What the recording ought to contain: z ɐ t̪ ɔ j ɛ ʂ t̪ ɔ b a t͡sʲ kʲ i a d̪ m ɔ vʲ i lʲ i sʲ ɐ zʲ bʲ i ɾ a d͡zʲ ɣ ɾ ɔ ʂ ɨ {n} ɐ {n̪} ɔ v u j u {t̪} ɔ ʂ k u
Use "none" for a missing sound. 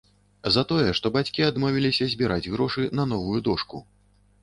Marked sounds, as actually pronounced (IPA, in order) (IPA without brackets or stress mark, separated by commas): n, n̪, d̪